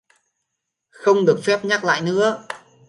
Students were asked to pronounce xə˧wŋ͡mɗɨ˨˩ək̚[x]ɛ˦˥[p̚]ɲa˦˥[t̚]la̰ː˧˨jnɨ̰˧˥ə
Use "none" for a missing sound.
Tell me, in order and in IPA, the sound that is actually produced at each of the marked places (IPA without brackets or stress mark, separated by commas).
f, p̚, k̚